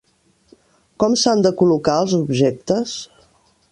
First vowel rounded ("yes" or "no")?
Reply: yes